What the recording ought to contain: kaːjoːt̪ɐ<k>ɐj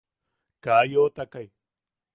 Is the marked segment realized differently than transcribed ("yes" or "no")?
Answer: no